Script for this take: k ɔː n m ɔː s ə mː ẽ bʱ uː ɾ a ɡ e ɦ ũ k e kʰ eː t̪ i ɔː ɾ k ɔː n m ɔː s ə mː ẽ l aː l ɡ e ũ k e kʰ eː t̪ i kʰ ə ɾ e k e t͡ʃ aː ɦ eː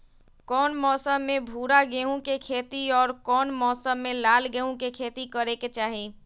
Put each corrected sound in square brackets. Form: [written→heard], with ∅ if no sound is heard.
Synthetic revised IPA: k ɔː n m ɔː s ə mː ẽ bʱ uː ɾ a ɡ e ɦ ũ k e kʰ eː t̪ i ɔː ɾ k ɔː n m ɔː s ə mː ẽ l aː l ɡ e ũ k e kʰ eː t̪ i [kʰ→k] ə ɾ e k e t͡ʃ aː ɦ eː

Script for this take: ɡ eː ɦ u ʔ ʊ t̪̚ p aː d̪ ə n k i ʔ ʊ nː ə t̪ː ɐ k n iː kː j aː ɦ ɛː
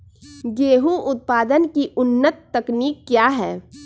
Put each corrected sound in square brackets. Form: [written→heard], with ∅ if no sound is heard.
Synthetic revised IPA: ɡ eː ɦ u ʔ ʊ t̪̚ p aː d̪ ə n k i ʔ ʊ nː ə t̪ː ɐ k n iː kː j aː ɦ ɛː

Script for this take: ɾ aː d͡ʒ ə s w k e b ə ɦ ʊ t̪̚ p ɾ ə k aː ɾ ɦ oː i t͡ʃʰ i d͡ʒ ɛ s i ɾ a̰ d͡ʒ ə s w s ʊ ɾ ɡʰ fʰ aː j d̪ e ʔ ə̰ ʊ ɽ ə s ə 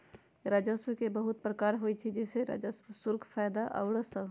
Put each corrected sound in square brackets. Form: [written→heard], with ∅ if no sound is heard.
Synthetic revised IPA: ɾ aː d͡ʒ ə s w k e b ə ɦ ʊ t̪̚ p ɾ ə k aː ɾ ɦ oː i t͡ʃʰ i d͡ʒ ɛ s [i→e] ɾ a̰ d͡ʒ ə s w s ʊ ɾ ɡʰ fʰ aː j d̪ [e→a] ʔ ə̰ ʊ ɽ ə s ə

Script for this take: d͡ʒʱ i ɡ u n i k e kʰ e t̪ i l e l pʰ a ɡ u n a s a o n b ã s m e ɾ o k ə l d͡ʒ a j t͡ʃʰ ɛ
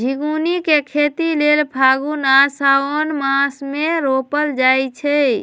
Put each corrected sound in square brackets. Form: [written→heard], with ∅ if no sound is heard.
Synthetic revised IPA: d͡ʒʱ i ɡ u n i k e kʰ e t̪ i l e l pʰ a ɡ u n a s a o n [b→m] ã s m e ɾ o [k→p] ə l d͡ʒ a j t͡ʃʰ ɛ

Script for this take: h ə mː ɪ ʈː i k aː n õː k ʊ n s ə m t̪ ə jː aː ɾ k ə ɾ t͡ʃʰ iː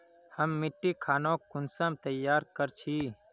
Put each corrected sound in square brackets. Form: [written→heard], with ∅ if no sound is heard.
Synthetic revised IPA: h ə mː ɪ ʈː i [k→kʰ] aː n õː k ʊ n s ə m t̪ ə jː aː ɾ k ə ɾ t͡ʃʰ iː

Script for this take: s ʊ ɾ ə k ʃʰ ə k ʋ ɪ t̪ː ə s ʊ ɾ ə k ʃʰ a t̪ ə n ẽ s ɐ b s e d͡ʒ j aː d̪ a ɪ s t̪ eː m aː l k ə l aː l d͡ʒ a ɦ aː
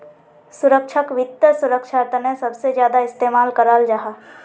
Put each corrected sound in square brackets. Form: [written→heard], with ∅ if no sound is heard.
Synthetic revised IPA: s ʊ ɾ ə k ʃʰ ə k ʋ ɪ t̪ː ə s ʊ ɾ ə k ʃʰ a t̪ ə n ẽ s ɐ b s e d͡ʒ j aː d̪ a ɪ s t̪ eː m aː l k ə [l→ɾ] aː l d͡ʒ a ɦ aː

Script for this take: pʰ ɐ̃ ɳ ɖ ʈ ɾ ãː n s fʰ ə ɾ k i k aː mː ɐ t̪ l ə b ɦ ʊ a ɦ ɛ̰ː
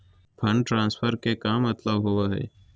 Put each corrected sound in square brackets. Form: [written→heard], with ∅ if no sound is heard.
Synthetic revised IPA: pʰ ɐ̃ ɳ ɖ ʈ ɾ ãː n s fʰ ə ɾ k [i→e] k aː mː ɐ t̪ l ə b ɦ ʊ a ɦ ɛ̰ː

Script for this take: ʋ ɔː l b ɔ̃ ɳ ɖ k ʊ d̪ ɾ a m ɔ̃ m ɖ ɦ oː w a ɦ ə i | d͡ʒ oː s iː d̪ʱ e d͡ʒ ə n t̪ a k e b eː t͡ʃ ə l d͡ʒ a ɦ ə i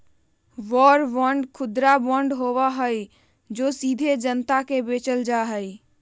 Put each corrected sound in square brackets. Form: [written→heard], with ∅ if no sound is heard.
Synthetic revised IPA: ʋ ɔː [l→ɾ] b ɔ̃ ɳ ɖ [k→kʰ] ʊ d̪ ɾ a [m→b] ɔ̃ [m→ɳ] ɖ ɦ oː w a ɦ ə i | d͡ʒ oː s iː d̪ʱ e d͡ʒ ə n t̪ a k e b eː t͡ʃ ə l d͡ʒ a ɦ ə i

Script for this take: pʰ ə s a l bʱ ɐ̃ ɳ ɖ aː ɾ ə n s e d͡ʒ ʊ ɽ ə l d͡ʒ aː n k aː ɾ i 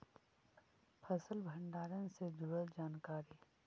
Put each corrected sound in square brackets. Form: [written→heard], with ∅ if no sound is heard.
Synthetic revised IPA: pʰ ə s [a→ə] l bʱ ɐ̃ ɳ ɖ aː ɾ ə n s e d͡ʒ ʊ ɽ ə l d͡ʒ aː n k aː ɾ i

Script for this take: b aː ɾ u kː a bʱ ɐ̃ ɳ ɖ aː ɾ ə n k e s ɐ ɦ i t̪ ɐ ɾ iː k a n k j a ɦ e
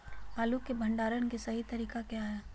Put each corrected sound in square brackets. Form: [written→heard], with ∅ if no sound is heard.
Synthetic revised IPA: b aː [ɾ→l] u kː [a→e] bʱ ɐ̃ ɳ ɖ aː ɾ ə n k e s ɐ ɦ i t̪ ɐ ɾ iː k a [n→∅] k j a ɦ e

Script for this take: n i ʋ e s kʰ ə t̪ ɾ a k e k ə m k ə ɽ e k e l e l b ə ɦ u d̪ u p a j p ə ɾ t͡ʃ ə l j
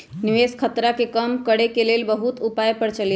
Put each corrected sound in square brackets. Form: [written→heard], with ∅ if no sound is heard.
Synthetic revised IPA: n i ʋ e s kʰ ə t̪ ɾ a k e k ə m k ə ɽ e k e l e l b ə ɦ u [d̪→t̪] u p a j p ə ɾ t͡ʃ ə l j

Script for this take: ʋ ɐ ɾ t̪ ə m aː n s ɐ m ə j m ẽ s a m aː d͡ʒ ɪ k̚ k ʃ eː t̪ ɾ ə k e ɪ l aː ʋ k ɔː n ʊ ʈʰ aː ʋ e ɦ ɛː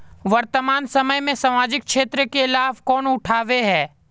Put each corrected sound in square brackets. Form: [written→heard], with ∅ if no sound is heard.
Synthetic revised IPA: ʋ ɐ ɾ t̪ ə m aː n s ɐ m ə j m ẽ s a m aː d͡ʒ ɪ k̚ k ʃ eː t̪ ɾ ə k e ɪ l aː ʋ k ɔː n ʊ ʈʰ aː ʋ e ɦ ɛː

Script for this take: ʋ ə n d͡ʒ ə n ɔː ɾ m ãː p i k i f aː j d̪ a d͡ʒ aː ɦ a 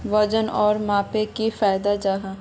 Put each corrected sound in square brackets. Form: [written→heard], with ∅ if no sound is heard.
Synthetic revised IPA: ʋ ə [n→∅] d͡ʒ ə n ɔː ɾ m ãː p [i→e] k i f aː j d̪ a d͡ʒ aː ɦ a

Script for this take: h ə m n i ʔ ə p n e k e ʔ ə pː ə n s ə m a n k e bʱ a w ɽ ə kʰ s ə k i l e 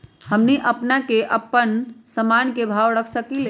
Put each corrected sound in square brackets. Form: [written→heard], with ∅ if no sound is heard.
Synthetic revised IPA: h ə m n i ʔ ə p n [e→a] k e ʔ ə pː ə n s ə m a n k e bʱ a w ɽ ə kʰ s ə k i l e

